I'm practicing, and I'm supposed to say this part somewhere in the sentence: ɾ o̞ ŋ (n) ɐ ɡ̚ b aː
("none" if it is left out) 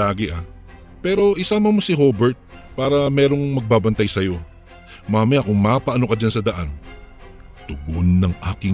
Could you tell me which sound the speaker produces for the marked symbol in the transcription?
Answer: m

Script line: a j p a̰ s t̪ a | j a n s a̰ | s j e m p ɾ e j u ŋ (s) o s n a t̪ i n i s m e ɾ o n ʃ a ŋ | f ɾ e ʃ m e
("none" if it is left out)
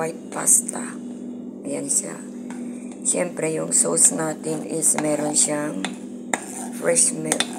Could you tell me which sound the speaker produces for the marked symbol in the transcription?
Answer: s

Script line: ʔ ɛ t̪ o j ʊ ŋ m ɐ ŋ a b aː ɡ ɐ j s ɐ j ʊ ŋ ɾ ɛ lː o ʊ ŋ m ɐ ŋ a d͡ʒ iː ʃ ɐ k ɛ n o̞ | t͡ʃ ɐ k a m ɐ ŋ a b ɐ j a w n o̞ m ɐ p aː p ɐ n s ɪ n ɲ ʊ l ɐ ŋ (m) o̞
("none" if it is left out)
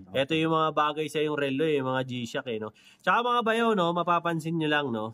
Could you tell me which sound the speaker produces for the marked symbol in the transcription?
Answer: n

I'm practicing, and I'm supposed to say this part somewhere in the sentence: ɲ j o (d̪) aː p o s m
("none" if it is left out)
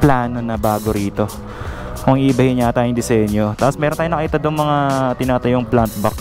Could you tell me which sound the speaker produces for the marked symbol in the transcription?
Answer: t̪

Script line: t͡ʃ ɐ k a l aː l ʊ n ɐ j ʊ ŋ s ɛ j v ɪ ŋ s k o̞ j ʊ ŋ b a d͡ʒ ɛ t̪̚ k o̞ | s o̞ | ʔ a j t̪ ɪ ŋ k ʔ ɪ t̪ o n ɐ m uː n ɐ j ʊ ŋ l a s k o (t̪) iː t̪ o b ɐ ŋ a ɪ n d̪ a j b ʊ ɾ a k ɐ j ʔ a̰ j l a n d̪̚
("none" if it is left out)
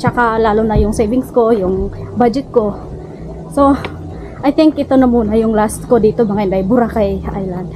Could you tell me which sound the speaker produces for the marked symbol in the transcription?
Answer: d̪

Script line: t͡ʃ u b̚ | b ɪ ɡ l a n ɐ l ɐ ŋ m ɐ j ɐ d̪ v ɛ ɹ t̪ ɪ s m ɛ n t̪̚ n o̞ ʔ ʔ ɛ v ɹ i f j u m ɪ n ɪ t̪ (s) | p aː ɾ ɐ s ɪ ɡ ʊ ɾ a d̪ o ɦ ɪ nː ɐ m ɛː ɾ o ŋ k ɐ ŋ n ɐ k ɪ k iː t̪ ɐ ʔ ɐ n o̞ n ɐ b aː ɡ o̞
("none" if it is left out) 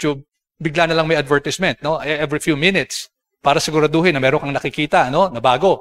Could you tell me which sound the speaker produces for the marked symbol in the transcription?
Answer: s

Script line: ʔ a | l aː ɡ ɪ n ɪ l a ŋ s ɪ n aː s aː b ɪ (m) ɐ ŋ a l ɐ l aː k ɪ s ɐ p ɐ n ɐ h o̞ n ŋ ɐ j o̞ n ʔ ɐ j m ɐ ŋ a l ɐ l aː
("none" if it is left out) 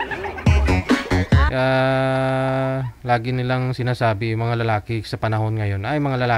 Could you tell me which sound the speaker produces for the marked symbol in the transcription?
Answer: m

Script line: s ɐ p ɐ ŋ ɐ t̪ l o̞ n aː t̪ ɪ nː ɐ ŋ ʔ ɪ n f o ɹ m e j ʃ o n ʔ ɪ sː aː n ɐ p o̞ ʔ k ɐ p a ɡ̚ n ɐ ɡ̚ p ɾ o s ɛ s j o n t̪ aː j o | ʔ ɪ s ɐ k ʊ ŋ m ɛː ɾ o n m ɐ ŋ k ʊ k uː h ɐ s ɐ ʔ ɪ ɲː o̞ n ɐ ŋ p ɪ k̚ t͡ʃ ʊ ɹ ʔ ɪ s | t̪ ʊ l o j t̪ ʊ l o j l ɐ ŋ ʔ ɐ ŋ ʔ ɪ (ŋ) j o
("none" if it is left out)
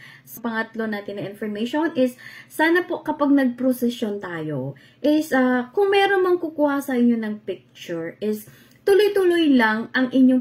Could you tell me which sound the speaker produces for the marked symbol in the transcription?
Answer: ɲ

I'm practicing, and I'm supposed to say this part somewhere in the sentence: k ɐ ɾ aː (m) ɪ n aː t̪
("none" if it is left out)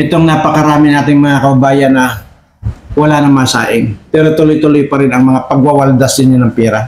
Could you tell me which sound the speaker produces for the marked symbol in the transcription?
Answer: m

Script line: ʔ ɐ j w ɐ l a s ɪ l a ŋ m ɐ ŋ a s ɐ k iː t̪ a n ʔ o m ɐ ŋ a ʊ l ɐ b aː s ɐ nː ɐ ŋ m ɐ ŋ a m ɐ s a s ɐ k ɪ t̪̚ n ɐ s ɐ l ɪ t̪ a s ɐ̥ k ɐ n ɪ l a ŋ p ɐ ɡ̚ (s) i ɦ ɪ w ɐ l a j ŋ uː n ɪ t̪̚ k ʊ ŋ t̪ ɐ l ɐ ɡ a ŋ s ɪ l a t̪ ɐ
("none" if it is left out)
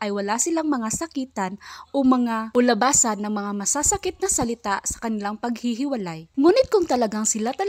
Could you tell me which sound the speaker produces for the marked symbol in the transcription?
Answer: h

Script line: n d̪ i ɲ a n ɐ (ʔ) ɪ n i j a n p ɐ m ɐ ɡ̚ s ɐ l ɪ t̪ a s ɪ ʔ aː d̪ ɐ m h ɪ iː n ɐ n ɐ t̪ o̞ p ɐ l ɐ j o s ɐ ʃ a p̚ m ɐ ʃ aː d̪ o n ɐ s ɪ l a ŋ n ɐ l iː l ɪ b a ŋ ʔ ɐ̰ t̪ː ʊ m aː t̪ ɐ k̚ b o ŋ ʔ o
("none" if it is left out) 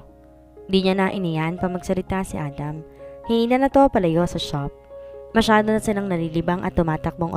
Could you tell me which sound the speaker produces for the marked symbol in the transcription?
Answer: ʔ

